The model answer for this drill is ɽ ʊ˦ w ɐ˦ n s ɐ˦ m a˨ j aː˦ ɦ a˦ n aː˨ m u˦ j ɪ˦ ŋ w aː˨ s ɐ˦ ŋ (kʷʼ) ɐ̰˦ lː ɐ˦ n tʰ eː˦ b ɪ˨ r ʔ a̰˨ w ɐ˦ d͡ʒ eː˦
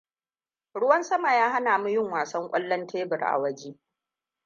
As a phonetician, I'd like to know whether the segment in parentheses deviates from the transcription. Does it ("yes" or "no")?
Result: no